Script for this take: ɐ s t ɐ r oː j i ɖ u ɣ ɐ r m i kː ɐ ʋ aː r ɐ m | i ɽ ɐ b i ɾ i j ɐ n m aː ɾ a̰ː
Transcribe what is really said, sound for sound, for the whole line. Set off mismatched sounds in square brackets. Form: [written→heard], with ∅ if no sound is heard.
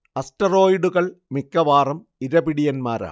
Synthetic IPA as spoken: ɐ s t ɐ r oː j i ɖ u ɣ ɐ [r→ɭ] m i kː ɐ ʋ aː r ɐ m | i [ɽ→ɾ] ɐ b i [ɾ→ɽ] i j ɐ n m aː ɾ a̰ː